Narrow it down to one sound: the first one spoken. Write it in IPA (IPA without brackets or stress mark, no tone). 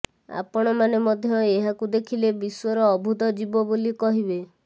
a̰